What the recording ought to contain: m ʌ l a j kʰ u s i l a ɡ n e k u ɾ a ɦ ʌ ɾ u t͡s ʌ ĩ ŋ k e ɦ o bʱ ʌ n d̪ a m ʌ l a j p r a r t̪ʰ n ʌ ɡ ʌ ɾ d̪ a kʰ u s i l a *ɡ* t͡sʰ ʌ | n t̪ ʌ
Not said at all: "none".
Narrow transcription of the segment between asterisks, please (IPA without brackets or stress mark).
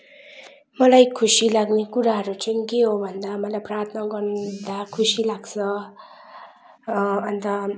ɡ